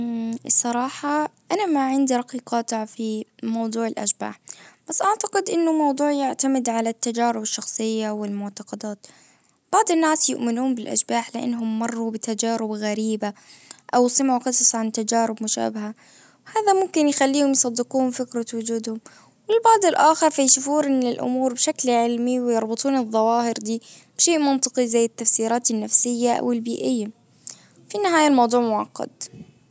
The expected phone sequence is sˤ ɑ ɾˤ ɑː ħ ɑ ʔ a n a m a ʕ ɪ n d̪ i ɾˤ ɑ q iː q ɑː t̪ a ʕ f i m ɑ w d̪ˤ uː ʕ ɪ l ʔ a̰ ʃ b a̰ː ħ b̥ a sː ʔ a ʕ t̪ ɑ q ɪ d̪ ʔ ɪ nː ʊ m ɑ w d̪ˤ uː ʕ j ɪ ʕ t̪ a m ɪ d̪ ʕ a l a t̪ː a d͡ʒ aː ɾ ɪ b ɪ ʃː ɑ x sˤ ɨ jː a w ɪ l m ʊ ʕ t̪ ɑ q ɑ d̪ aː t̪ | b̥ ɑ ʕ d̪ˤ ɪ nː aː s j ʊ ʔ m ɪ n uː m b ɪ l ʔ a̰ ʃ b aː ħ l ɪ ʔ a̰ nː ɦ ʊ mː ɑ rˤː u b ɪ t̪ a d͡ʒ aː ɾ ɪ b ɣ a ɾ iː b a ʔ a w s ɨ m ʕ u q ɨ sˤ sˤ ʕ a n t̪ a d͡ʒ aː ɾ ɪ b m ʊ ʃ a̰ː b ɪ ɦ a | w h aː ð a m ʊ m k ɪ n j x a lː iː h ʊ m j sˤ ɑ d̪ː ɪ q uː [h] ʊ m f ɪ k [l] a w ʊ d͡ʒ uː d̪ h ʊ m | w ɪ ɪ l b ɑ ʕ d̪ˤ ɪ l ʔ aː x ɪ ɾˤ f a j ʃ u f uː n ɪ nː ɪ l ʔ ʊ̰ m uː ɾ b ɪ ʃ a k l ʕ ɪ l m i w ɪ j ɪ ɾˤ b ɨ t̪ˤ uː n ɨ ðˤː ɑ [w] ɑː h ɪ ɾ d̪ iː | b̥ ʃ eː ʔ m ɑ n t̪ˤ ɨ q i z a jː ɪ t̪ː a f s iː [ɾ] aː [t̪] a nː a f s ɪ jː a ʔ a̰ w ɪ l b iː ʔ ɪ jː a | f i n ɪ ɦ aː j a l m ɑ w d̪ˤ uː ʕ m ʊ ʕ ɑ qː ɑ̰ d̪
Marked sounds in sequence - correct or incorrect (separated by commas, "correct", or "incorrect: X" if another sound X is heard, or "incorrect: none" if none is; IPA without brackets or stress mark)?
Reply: correct, incorrect: ɾ, correct, correct, correct